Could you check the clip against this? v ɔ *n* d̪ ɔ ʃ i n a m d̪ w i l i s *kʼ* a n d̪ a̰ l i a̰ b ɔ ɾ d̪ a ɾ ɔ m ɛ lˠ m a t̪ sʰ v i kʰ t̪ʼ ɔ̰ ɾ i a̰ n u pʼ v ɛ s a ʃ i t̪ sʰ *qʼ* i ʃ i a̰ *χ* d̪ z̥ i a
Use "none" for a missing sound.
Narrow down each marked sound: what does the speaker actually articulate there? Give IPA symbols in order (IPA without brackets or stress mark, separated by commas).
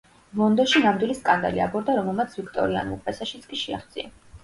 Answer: n, kʼ, kʼ, χ